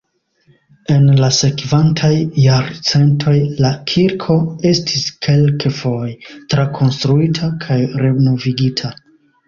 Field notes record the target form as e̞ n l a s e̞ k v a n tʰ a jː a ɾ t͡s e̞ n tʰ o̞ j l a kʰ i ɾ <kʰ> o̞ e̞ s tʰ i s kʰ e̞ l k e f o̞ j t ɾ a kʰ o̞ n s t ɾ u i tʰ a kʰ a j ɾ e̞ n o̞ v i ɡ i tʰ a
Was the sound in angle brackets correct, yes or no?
yes